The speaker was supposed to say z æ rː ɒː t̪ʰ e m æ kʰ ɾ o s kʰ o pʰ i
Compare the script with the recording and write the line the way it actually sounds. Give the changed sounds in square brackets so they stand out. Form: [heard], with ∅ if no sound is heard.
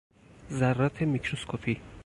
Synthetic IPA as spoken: z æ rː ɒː t̪ʰ e m [i] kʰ ɾ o s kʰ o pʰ i